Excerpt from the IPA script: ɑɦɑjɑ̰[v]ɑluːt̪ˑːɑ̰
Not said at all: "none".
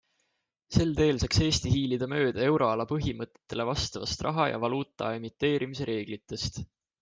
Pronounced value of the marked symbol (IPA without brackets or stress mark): v